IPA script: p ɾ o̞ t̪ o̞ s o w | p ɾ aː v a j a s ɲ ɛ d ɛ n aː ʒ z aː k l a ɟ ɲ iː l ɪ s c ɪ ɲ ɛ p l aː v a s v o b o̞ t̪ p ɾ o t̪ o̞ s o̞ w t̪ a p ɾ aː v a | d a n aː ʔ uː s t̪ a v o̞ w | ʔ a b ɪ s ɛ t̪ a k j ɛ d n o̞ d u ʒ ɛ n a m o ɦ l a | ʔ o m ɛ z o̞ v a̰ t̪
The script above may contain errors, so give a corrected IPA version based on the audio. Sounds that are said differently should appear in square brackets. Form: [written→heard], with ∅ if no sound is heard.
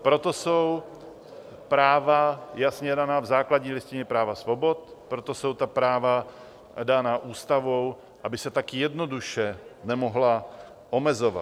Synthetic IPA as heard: p ɾ o̞ t̪ o̞ s o w | p ɾ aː v a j a s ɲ ɛ d [ɛ→a] n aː [ʒ→v] z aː k l a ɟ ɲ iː l ɪ s c ɪ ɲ ɛ p [l→ɾ] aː v a s v o b o̞ t̪ p ɾ o t̪ o̞ s o̞ w t̪ a p ɾ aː v a | d a n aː ʔ uː s t̪ a v o̞ w | ʔ a b ɪ s ɛ t̪ a k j ɛ d n o̞ d u [ʒ→ʃ] ɛ n [a→ɛ] m o ɦ l a | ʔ o m ɛ z o̞ v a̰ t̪